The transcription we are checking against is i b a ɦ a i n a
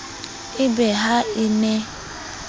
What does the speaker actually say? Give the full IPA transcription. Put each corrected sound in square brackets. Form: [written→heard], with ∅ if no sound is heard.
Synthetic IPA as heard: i b [a→e] ɦ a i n [a→e]